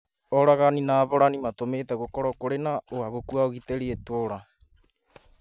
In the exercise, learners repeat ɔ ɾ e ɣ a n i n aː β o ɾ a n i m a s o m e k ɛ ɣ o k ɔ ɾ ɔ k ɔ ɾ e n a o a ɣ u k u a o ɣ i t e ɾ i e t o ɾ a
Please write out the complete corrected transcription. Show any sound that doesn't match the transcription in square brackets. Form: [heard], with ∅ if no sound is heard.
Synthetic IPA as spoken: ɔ ɾ [a] ɣ a n i n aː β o ɾ a n i m a [t] o m e [t] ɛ ɣ o k ɔ ɾ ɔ k [o] ɾ e n a o a ɣ [o] k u a o ɣ i t e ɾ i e t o ɾ a